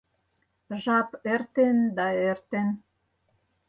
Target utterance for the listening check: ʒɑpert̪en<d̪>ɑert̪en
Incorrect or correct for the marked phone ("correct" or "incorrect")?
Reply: correct